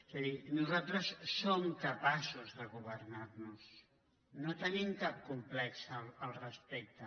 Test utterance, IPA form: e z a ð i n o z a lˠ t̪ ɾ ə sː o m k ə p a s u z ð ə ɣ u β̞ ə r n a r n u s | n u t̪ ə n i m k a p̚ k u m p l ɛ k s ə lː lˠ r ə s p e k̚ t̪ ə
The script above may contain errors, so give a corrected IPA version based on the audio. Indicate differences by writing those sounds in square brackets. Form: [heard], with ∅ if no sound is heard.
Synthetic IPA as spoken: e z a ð i n [u] z a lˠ t̪ ɾ ə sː o m k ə p a s u z ð ə ɣ u β̞ ə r n a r n u s | n [o] t̪ ə n i m k a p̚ k u m p l ɛ k s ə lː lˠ r ə s p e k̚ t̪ ə